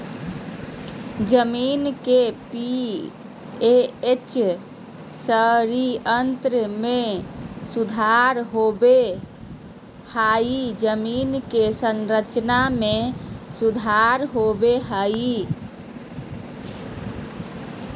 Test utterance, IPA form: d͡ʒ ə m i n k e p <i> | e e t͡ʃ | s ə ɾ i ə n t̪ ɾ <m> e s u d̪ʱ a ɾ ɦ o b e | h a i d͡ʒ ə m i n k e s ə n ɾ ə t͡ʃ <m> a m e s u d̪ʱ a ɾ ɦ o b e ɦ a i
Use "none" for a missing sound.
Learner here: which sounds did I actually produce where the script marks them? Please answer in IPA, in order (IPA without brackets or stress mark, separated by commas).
i, m, n